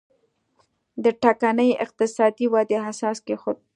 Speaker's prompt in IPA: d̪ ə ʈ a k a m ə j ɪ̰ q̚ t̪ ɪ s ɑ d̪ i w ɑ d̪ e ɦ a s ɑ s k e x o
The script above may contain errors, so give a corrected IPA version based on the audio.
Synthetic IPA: d̪ ə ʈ a k a n ə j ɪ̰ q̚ t̪ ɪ s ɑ d̪ i w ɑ d̪ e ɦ a s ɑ s k e x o